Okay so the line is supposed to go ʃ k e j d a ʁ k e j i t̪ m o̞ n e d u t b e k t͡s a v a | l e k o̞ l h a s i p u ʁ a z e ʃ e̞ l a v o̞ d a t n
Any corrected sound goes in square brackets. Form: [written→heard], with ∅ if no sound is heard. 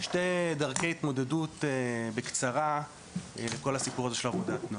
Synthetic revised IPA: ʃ [k→t] e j d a ʁ k e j i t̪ m o̞ [n→d] e d u t b e k t͡s a [v→ʁ] a | l e k o̞ l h a s i p u ʁ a z e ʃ e̞ l a v o̞ d a t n